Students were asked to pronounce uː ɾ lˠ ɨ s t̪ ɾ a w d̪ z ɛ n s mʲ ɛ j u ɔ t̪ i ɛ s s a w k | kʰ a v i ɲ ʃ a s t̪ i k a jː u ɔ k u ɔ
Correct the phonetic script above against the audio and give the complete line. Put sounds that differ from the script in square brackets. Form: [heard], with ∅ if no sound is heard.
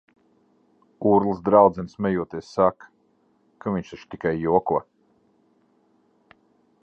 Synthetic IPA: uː ɾ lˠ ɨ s [d̪] ɾ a w d̪ z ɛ n s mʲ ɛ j u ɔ t̪ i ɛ s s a [∅] k | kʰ a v i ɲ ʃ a [ʃ] t̪ i k a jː u ɔ k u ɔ